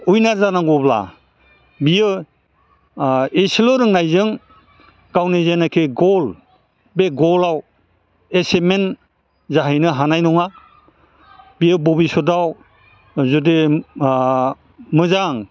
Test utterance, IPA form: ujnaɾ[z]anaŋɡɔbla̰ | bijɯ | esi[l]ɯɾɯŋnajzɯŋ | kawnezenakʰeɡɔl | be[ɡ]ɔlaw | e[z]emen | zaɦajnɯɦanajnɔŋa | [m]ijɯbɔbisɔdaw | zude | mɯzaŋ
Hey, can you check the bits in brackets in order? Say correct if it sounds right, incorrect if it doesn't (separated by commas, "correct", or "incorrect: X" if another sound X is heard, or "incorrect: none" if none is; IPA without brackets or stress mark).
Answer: correct, correct, correct, incorrect: s, incorrect: b